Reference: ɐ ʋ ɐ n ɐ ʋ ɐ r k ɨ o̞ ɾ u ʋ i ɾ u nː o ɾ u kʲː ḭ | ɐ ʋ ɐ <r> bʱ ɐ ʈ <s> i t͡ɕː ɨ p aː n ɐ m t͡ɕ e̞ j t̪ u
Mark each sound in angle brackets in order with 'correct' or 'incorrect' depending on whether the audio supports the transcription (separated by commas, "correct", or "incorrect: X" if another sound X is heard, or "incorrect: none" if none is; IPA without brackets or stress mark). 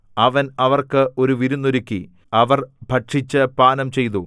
correct, incorrect: ʂ